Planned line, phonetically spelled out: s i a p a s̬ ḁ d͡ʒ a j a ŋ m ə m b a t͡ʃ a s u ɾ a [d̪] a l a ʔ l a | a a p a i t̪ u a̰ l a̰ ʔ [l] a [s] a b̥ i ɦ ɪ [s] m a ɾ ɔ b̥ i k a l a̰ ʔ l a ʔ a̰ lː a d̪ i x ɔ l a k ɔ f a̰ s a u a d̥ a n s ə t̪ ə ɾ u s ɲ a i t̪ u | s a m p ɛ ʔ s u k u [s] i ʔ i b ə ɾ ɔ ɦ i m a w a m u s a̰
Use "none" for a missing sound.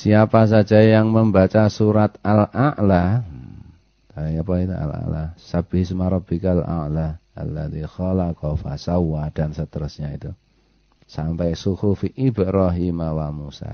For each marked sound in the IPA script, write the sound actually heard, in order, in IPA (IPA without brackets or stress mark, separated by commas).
t̪, l, s, s, f